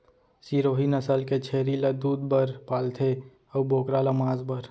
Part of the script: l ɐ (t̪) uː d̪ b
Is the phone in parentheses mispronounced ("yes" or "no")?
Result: yes